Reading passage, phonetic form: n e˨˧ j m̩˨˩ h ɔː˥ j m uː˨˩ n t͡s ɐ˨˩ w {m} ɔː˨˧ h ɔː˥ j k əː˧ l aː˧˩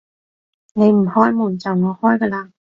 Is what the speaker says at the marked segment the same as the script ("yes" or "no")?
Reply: no